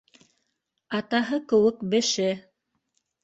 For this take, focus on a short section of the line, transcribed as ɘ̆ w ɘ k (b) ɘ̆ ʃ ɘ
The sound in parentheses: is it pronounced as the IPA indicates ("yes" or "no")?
yes